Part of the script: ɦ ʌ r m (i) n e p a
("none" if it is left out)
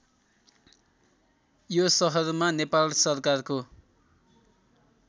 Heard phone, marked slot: a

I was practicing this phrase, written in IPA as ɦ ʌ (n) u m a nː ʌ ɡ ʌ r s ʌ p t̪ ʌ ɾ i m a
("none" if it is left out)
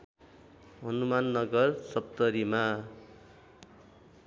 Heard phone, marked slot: n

